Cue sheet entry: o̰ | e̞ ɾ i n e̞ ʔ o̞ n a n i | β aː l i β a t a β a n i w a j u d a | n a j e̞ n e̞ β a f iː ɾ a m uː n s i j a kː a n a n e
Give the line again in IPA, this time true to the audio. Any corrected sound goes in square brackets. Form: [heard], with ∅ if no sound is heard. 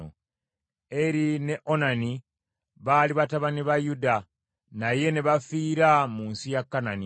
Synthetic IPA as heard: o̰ | e̞ ɾ i n e̞ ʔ o̞ n a n i | β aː l i β a t a β a n i [β] a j u d a | n a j e̞ n e̞ β a f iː ɾ a m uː n s i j a kː a n a n [i]